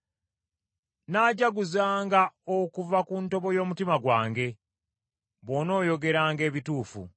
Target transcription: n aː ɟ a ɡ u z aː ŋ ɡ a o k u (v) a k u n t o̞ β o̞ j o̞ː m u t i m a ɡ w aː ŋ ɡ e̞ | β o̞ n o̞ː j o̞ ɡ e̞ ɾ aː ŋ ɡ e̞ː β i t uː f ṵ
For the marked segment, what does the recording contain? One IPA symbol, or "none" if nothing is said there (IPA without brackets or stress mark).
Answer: v